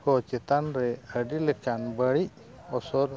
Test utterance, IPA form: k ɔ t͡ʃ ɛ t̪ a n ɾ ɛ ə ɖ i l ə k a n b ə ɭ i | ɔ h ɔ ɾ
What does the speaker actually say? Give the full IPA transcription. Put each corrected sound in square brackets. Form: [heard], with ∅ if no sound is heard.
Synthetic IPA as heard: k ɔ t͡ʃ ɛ t̪ a n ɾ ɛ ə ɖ i l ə k a n b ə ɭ i | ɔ [s] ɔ ɾ